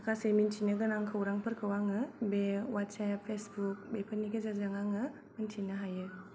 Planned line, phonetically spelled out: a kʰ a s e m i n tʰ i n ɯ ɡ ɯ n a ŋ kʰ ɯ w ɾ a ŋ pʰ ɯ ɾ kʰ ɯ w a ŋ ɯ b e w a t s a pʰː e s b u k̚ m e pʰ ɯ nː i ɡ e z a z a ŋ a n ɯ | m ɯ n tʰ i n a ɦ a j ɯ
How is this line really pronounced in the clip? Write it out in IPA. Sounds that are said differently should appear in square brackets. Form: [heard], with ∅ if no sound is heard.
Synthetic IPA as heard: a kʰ a s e m i n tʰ i n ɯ ɡ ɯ n a ŋ kʰ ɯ w ɾ a ŋ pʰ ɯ ɾ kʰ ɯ w a ŋ ɯ b e w a t s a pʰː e s b u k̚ [b] e pʰ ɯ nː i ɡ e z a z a ŋ a [ŋ] ɯ | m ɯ n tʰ i n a ɦ a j ɯ